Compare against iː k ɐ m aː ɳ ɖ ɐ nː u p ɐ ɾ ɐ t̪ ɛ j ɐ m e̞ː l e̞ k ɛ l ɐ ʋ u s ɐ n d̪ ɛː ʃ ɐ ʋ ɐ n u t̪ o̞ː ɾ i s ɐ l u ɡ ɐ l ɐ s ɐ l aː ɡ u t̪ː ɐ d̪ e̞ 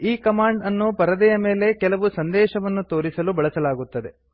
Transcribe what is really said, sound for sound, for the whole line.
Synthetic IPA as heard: iː k ɐ m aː ɳ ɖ ɐ nː u p ɐ ɾ ɐ d̪ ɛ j ɐ m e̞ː l e̞ k ɛ l ɐ ʋ u s ɐ n d̪ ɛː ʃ ɐ ʋ ɐ nː u t̪ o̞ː ɾ i s ɐ l u b ɐ ɭ ɐ s ɐ l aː ɡ u t̪ː ɐ d̪ e̞

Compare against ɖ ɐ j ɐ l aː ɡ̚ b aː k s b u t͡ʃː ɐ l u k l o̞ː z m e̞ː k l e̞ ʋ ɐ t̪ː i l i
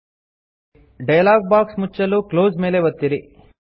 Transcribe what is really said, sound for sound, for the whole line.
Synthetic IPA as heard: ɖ ɐ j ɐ l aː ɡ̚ b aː k s m u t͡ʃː ɐ l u k l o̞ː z m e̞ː l e̞ ʋ ɐ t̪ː i ɾ i

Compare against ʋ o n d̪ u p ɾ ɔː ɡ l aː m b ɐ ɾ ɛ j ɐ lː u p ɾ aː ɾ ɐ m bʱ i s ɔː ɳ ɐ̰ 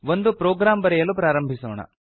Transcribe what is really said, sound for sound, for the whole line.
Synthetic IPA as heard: ʋ o n d̪ u p ɾ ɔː ɡ ɾ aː m b ɐ ɾ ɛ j ɐ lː u p ɾ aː ɾ ɐ m bʱ i s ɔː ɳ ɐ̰

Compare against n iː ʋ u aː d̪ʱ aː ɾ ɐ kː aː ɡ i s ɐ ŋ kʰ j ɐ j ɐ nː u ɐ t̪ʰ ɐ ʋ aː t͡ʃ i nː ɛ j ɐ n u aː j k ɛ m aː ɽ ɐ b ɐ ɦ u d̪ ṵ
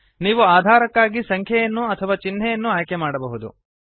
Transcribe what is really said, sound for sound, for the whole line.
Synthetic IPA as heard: n iː ʋ u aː d̪ʱ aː ɾ ɐ kː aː ɡ i s ɐ ŋ kʰ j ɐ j ɐ nː u ɐ t̪ʰ ɐ ʋ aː t͡ʃ i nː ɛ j ɐ nː u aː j k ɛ m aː ɽ ɐ b ɐ ɦ u d̪ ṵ

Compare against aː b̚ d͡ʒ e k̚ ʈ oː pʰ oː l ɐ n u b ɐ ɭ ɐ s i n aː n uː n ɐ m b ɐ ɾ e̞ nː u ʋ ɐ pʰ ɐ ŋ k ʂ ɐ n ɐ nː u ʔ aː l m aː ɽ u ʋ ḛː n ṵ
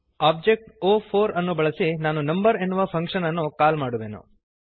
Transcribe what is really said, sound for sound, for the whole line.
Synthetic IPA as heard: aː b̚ d͡ʒ e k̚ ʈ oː pʰ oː ɾ ɐ nː u b ɐ ɭ ɐ s i n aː n u n ɐ m b ɐ ɾ e̞ nː u ʋ ɐ pʰ ɐ ŋ k ʂ ɐ n ɐ nː u k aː l m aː ɽ u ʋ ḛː n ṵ

